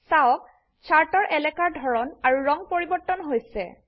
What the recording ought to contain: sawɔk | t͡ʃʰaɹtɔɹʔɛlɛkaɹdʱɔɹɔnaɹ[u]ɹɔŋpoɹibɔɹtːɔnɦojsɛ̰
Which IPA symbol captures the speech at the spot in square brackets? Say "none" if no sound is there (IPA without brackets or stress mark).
u